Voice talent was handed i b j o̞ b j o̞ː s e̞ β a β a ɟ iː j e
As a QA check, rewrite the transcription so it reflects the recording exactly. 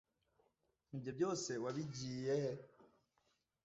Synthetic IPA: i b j o̞ b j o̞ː s e̞ w a β i ɟ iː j e